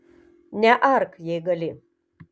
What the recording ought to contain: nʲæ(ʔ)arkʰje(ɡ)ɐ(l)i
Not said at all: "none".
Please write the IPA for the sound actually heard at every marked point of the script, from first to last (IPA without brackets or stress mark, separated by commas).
ʔ, ɡ, l